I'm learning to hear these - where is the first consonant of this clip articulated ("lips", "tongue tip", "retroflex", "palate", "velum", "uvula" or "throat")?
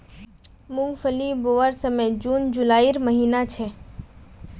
lips